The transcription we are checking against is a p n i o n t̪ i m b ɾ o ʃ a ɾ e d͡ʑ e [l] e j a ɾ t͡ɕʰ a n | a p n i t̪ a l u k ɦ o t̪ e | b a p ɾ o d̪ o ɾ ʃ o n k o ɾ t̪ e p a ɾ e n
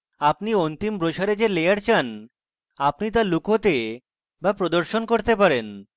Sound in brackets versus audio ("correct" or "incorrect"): correct